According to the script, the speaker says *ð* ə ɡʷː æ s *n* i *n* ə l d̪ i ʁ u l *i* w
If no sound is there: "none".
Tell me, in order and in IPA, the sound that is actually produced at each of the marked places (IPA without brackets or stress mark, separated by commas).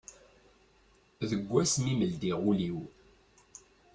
ð, m, m, i